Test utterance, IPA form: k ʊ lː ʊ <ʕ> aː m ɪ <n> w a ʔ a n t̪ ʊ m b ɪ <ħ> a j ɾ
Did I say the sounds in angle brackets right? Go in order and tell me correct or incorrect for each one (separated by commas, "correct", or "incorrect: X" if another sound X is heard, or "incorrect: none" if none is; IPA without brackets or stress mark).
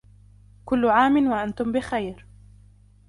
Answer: correct, correct, incorrect: x